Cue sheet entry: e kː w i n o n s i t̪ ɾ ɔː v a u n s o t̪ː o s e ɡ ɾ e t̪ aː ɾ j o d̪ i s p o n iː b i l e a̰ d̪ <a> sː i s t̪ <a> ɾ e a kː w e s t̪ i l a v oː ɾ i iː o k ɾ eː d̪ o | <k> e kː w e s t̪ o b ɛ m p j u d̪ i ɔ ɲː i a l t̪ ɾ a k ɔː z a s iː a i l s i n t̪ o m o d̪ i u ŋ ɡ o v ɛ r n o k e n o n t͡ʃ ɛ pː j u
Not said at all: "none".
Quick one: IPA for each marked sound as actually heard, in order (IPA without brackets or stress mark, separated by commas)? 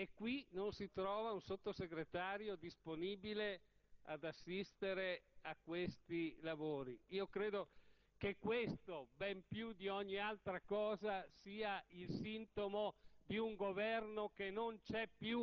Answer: a, e, k